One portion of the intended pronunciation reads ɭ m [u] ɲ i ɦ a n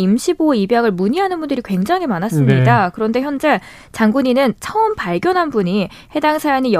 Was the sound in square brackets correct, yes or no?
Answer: yes